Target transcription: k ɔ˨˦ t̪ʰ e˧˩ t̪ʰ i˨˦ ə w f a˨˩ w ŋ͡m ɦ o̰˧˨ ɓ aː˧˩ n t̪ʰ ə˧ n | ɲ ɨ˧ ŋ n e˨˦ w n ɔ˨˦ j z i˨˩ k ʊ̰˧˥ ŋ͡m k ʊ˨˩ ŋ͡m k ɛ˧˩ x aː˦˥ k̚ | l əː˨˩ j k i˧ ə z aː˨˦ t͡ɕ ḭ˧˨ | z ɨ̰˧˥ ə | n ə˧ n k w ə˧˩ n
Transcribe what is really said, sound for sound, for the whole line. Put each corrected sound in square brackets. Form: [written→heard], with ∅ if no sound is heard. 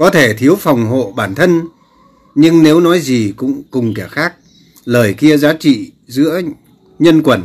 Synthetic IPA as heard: k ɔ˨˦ t̪ʰ e˧˩ t̪ʰ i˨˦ ə w f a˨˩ w ŋ͡m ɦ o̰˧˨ ɓ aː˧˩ n t̪ʰ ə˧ n | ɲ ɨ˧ ŋ n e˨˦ w n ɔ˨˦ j z i˨˩ k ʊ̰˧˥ ŋ͡m k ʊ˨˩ ŋ͡m k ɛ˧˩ x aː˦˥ k̚ | l əː˨˩ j k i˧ ə z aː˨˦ t͡ɕ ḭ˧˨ | z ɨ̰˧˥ ə | [n→ɲ] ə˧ n k w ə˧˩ n